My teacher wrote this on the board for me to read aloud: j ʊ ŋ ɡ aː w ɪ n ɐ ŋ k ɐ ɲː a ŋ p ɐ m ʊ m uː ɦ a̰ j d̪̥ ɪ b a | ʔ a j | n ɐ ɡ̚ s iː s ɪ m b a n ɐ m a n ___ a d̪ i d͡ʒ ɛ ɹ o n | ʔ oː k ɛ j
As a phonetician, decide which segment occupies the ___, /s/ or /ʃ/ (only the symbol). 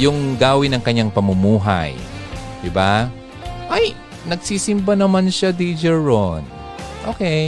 ʃ